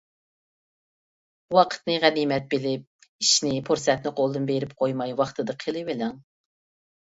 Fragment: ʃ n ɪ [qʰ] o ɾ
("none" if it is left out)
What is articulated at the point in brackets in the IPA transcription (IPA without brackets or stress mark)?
pʰ